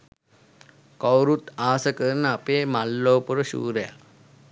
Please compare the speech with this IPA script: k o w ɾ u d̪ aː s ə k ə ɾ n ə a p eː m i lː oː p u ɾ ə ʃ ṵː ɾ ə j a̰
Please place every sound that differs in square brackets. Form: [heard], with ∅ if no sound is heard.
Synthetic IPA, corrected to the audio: k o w ɾ u [t̪] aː s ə k ə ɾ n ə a p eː m [a] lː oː p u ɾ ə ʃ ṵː ɾ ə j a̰